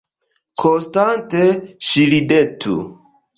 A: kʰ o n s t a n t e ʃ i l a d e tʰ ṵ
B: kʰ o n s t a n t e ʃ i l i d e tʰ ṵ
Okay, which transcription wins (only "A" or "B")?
B